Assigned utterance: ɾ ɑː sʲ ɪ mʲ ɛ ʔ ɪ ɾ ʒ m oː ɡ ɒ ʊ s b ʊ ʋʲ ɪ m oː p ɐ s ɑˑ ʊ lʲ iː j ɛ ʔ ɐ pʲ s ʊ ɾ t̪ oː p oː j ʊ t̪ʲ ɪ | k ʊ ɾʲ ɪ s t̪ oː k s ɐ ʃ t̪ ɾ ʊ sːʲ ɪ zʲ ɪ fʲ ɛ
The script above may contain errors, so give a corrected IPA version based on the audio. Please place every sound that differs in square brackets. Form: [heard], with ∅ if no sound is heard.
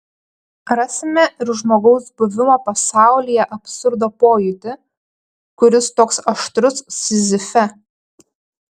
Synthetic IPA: ɾ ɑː sʲ ɪ mʲ ɛ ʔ ɪ ɾ ʒ m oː ɡ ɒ ʊ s b ʊ ʋʲ ɪ m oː p ɐ s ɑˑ ʊ lʲ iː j ɛ ʔ ɐ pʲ s ʊ ɾ [d̪] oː p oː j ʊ t̪ʲ ɪ | k ʊ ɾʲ ɪ s t̪ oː k s ɐ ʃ t̪ ɾ ʊ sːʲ ɪ zʲ ɪ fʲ ɛ